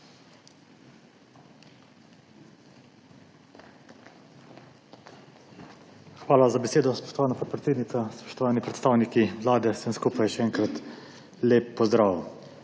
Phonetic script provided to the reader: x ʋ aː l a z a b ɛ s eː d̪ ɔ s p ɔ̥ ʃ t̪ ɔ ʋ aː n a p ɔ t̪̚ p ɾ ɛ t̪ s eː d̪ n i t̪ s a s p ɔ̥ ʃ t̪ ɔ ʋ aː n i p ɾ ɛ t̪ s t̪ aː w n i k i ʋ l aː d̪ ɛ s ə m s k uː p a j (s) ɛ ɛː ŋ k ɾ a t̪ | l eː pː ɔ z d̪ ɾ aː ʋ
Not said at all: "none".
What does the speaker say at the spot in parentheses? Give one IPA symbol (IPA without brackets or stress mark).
ʃ